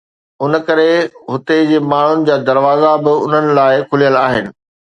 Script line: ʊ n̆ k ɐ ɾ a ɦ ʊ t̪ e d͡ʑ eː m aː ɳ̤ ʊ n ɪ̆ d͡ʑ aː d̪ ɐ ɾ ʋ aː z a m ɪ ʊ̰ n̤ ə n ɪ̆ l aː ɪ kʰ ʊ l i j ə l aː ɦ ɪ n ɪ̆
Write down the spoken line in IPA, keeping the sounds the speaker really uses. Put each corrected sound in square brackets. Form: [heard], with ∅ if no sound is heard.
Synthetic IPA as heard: ʊ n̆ k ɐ ɾ [e] ɦ ʊ t̪ e d͡ʑ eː m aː ɳ̤ ʊ n ɪ̆ d͡ʑ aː d̪ ɐ ɾ ʋ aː z a [b] ɪ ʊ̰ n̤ ə n ɪ̆ l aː ɪ kʰ ʊ l i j ə l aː ɦ ɪ n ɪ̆